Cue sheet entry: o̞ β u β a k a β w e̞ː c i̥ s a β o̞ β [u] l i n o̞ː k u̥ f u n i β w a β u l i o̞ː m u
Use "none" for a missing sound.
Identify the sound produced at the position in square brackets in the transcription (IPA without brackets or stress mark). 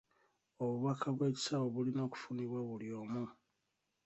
u